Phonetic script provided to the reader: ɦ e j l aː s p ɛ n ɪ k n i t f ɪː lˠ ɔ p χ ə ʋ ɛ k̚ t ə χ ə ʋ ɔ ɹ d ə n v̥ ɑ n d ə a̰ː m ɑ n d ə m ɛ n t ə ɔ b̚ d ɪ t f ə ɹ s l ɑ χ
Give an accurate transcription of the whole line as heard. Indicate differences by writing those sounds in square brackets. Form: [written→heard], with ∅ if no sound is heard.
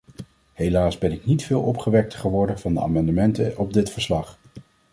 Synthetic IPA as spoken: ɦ e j l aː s [p→b] ɛ n ɪ k n i t f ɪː lˠ ɔ p χ ə ʋ ɛ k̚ t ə χ ə ʋ ɔ ɹ d ə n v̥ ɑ n d ə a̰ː m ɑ n d ə m ɛ n t ə ɔ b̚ d ɪ t f ə ɹ s l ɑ χ